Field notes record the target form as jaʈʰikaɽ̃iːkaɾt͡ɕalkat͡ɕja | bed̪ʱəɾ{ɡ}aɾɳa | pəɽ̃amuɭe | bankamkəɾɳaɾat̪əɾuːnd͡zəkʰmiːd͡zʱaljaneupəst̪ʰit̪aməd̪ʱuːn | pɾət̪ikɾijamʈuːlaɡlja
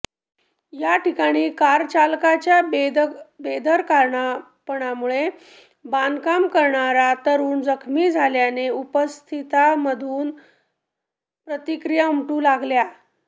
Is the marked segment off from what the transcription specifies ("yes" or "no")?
yes